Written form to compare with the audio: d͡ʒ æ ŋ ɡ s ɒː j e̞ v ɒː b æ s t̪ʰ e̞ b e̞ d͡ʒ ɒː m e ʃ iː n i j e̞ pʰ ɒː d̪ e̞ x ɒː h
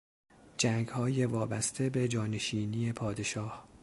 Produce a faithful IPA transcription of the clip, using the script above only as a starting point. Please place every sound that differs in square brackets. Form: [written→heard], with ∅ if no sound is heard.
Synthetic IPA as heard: d͡ʒ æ ŋ ɡ [s→h] ɒː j e̞ v ɒː b æ s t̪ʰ e̞ b e̞ d͡ʒ ɒː [m→n] e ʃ iː n i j e̞ pʰ ɒː d̪ e̞ [x→ʃ] ɒː h